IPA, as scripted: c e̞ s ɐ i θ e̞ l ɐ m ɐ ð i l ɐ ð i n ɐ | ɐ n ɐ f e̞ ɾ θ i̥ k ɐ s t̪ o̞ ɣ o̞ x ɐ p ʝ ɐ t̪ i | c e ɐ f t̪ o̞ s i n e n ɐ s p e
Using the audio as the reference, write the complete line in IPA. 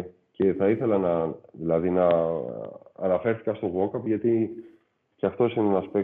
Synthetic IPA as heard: c e̞ θ ɐ i θ e̞ l ɐ n ɐ ð i l ɐ ð i n ɐ | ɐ n ɐ f e̞ ɾ θ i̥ k ɐ s t̪ o̞ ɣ o̞ k ɐ p ʝ ɐ t̪ i | c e ɐ f t̪ o̞ s i n e n ɐ s p e